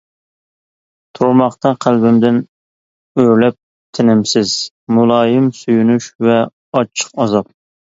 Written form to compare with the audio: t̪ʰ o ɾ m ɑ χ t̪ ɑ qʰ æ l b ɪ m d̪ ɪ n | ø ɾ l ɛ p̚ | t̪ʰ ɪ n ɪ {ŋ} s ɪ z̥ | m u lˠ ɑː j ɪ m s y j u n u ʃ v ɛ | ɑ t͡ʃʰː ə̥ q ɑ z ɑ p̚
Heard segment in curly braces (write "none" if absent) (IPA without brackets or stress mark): m